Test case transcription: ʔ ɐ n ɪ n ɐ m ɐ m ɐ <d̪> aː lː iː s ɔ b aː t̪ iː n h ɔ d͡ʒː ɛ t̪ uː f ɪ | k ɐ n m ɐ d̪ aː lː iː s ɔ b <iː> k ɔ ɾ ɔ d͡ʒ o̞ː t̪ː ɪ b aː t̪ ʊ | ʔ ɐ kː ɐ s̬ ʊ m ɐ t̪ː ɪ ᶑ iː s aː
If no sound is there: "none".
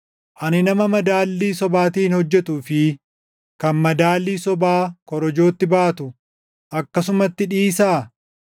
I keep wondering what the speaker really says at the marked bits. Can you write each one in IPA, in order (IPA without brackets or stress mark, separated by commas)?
d̪, aː